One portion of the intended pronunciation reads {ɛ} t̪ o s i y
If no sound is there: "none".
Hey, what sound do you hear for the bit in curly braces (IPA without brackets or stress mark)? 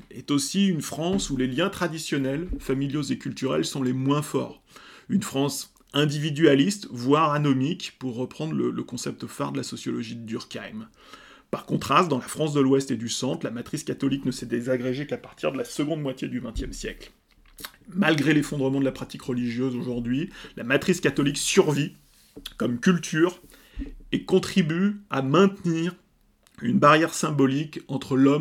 ɛ